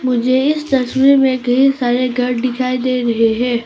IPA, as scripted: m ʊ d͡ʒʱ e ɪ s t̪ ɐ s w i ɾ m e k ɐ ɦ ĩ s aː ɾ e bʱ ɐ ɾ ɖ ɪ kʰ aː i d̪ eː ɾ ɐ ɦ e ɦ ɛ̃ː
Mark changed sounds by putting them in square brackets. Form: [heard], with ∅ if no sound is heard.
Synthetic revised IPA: m ʊ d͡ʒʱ e ɪ s t̪ ɐ s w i ɾ m [ẽ] k ɐ ɦ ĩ s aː ɾ e [ɡʱ] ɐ ɾ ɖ ɪ kʰ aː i d̪ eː ɾ ɐ ɦ e ɦ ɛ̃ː